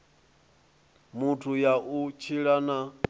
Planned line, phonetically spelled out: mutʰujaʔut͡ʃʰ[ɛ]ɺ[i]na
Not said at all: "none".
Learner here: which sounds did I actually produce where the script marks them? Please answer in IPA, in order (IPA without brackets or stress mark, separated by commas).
i, a